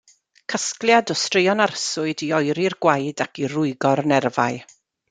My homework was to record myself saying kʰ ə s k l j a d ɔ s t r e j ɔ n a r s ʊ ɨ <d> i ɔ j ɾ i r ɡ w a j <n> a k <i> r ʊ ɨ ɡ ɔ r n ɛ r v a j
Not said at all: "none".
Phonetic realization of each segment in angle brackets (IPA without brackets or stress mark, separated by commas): d, d, i